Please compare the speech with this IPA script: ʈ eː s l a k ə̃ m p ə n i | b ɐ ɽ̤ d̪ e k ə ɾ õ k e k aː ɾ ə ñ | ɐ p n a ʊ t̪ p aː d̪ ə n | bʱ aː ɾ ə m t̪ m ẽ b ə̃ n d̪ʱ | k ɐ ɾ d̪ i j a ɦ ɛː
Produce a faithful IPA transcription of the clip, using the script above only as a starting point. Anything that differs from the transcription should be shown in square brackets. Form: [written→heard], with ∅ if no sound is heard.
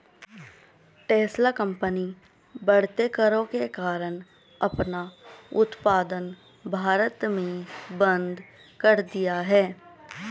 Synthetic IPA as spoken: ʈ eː s l a k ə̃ m p ə n i | b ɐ ɽ̤ [d̪→t̪] e k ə ɾ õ k e k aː ɾ ə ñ | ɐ p n a ʊ t̪ p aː d̪ ə n | bʱ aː ɾ ə [m→∅] t̪ m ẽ b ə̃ n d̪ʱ | k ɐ ɾ d̪ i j a ɦ ɛː